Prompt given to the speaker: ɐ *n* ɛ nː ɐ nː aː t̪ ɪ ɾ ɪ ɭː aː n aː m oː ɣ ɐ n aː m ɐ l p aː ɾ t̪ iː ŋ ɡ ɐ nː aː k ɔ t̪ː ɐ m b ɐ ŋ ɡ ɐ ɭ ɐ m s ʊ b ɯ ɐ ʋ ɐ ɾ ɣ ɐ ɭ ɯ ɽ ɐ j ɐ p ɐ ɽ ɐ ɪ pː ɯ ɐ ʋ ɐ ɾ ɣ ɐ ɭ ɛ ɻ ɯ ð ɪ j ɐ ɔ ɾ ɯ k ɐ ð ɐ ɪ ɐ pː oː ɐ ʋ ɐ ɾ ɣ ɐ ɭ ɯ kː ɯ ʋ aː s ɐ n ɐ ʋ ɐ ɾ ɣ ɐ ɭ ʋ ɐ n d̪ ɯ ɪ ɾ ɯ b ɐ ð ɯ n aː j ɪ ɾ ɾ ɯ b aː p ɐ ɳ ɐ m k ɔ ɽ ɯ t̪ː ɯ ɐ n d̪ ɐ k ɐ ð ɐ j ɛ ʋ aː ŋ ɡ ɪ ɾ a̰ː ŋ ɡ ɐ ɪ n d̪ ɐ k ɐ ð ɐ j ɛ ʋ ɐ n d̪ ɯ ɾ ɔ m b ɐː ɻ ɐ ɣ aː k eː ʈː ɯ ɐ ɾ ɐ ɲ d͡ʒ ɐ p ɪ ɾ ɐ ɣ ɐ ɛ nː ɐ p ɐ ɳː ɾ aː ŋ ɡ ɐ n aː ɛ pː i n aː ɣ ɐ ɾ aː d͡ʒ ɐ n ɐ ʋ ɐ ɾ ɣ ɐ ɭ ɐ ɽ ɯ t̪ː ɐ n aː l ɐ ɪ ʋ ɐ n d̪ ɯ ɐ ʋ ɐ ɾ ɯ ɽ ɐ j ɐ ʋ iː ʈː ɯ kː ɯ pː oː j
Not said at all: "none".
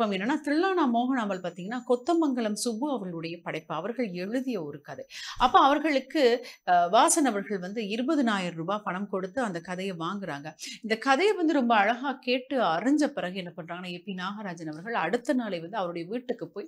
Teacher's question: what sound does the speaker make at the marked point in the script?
m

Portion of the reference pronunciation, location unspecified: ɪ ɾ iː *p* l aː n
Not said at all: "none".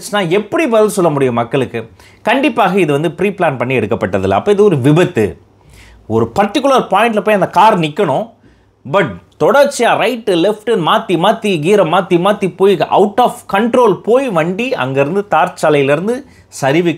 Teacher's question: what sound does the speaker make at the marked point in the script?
p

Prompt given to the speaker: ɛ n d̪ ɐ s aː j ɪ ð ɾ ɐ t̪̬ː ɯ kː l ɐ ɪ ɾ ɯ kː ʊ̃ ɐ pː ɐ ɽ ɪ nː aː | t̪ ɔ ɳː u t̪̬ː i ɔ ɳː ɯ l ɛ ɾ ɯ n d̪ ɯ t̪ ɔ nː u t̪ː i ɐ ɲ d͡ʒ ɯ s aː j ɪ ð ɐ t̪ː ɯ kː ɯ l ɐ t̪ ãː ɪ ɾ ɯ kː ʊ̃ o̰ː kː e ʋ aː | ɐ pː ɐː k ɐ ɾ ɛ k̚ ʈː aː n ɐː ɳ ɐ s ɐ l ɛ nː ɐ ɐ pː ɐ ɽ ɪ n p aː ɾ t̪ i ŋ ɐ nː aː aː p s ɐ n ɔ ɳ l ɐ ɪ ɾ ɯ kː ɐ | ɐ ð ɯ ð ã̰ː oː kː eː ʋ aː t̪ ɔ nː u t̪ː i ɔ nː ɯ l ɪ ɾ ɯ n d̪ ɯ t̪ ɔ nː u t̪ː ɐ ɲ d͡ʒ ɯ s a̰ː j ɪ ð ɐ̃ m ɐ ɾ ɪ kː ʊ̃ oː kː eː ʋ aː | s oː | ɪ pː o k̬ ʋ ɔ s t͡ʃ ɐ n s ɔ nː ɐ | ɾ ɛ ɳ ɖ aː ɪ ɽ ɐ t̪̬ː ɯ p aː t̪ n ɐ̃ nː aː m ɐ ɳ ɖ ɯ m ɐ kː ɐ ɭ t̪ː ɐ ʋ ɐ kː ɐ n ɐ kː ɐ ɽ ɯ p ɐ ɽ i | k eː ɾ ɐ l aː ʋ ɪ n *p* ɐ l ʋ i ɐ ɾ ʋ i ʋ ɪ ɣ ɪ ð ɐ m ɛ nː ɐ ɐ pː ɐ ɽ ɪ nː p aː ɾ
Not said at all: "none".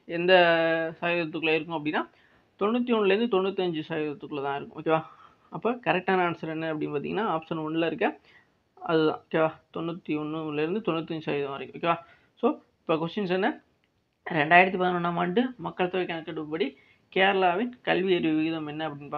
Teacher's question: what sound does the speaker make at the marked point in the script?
k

